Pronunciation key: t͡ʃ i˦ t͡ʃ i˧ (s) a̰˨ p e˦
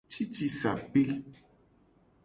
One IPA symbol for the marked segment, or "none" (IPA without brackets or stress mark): s